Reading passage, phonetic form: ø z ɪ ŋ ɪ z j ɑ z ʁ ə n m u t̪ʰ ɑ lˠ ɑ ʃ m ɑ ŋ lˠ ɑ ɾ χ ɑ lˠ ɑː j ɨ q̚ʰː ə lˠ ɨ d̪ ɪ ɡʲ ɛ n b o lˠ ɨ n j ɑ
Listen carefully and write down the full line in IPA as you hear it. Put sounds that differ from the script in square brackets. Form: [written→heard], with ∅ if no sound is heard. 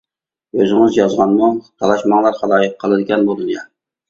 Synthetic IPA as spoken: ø z ɪ ŋ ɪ z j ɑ z ʁ [ə→ɑ] n m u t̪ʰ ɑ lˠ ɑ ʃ m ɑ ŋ lˠ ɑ ɾ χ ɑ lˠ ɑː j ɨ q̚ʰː ə lˠ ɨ d̪ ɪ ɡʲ ɛ n b o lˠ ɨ n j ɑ

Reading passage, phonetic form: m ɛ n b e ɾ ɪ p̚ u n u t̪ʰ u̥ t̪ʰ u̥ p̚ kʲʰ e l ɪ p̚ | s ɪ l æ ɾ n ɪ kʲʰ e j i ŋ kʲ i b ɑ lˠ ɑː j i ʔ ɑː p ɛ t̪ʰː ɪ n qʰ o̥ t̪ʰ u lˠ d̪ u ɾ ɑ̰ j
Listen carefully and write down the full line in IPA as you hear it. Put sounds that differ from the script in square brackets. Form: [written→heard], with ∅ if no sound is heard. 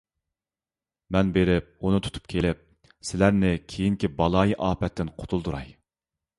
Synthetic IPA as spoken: m ɛ n b e ɾ ɪ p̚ u n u t̪ʰ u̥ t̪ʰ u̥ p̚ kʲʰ e l ɪ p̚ | s ɪ l æ ɾ n ɪ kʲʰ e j i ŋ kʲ i b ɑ lˠ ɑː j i ʔ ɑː p ɛ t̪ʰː ɪ n qʰ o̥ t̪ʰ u lˠ d̪ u ɾ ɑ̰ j

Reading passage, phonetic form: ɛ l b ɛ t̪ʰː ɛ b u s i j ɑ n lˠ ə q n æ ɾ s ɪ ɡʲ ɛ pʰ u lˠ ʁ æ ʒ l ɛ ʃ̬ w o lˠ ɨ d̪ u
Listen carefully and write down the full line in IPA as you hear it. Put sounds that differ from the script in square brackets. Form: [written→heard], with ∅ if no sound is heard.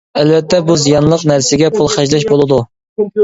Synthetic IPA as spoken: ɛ l [b→v] ɛ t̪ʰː ɛ b u [s→z] i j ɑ n lˠ ə q n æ ɾ s ɪ ɡʲ ɛ pʰ u lˠ [ʁ→χ] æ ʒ l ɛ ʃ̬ [w→b] o lˠ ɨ d̪ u

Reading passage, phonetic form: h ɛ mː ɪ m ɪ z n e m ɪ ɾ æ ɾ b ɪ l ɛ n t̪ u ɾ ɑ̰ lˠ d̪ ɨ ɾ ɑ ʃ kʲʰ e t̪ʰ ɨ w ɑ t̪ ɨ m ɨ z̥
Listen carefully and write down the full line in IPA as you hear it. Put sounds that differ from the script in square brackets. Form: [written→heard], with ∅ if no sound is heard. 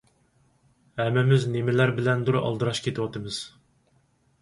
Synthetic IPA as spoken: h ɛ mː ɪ m ɪ z n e m ɪ [ɾ→l] æ ɾ b ɪ l ɛ n [t̪→d̪] u ɾ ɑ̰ lˠ d̪ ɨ ɾ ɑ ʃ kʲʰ e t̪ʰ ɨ w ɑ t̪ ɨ m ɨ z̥

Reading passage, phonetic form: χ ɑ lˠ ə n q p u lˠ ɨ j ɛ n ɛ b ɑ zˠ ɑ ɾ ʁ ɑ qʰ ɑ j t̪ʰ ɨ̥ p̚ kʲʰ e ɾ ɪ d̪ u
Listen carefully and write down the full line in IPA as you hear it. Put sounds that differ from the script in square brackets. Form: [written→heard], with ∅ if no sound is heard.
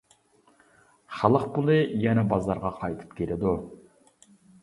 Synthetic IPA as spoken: χ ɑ lˠ ə [n→∅] q p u lˠ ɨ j ɛ n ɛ b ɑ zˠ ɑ ɾ ʁ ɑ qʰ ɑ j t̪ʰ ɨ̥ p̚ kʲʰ e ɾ ɪ d̪ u

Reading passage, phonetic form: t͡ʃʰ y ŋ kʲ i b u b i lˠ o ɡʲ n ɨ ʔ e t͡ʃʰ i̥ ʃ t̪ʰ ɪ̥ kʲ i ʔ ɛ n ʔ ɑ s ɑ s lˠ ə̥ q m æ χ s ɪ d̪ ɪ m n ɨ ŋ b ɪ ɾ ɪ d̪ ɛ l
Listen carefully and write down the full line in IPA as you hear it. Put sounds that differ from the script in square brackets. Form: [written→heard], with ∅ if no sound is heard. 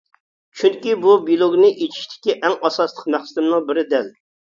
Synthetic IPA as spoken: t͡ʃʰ y ŋ kʲ i b u b i lˠ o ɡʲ n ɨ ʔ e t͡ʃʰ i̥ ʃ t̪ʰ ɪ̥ kʲ i ʔ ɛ [n→ŋ] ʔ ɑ s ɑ s lˠ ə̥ q m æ χ s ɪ d̪ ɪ m n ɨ ŋ b ɪ ɾ ɪ d̪ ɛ l

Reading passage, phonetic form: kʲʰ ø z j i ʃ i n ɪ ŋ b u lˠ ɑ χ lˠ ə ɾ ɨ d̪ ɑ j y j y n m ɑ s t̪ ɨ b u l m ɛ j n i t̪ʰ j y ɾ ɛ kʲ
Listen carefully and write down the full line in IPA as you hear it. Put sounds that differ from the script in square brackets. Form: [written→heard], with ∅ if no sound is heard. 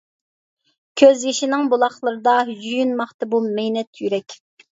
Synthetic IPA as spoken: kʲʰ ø z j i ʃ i n ɪ ŋ b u lˠ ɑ χ lˠ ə ɾ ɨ d̪ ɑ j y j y n m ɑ [s→χ] t̪ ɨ b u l m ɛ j n [i→ɛ] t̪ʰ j y ɾ ɛ kʲ

